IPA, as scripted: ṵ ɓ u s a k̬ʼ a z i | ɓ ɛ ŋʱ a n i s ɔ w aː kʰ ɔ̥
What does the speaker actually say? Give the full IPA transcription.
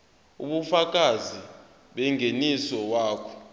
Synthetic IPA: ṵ ɓ u f a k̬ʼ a z i | ɓ ɛ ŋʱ e n i s ɔ w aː kʰ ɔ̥